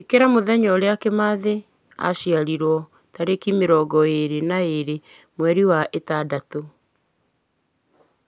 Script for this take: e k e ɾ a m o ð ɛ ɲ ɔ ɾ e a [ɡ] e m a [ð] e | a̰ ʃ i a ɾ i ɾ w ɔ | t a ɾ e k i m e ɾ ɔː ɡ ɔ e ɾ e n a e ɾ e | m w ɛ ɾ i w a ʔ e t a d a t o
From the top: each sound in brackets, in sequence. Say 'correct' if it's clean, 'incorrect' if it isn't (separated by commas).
incorrect, correct